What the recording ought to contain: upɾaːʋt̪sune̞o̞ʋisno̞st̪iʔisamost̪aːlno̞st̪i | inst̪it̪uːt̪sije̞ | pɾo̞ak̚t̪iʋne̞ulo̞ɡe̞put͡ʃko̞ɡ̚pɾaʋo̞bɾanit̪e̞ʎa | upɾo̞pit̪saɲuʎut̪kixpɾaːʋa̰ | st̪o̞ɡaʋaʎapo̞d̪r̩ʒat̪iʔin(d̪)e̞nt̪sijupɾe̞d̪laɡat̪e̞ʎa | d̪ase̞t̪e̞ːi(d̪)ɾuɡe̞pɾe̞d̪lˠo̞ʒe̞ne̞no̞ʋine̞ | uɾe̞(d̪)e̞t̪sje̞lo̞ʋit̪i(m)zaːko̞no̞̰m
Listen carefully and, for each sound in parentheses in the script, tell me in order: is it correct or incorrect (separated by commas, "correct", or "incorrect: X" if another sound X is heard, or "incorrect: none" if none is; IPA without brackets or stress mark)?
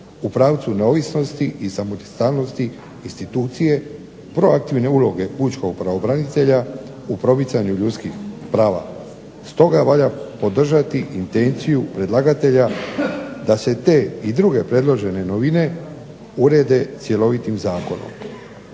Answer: incorrect: t̪, correct, correct, correct